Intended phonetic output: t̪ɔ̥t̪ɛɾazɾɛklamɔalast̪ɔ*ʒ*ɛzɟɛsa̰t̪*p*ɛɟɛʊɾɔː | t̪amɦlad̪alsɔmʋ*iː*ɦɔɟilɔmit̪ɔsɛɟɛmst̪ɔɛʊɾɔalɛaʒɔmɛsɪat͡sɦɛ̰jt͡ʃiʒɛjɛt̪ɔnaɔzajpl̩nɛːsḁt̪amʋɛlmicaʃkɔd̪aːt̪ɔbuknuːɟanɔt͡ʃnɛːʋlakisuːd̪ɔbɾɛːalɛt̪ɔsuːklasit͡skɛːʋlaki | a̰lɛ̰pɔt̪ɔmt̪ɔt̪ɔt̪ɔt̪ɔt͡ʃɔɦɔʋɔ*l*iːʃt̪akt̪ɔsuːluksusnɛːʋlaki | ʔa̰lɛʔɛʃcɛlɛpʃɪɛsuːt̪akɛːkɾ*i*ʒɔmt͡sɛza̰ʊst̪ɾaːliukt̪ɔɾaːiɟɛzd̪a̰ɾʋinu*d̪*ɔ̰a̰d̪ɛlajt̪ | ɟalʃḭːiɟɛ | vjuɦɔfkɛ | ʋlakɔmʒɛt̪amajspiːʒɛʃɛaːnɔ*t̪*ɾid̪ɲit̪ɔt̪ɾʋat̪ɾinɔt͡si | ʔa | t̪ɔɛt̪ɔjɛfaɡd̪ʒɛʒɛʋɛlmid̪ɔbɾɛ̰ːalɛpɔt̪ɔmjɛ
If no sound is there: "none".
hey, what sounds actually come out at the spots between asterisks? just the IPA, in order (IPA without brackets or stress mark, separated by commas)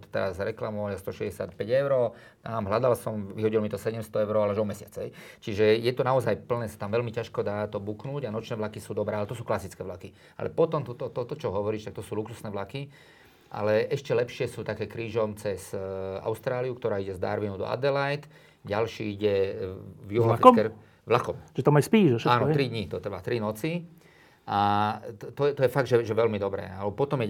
ʃ, p, i, ɾ, iː, d̪, t̪